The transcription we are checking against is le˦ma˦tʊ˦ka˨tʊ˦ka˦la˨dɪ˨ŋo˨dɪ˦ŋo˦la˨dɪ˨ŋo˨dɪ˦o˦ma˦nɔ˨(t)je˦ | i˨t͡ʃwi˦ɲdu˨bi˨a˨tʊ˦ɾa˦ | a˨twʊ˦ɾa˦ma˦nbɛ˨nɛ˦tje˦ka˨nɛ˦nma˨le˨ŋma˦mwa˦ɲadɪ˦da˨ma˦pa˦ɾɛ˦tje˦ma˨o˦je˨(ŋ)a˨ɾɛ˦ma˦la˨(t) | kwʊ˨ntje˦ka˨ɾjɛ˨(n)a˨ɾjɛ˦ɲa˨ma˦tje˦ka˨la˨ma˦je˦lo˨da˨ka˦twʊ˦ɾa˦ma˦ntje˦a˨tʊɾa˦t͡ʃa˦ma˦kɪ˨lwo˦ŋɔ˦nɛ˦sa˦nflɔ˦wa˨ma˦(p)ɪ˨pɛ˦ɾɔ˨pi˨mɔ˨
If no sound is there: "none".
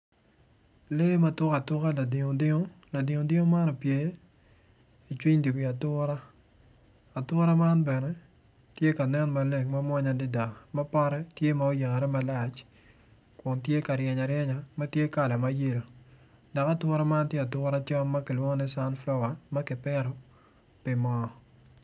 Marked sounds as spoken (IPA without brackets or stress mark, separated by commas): p, ŋ, t͡ʃ, ɲ, k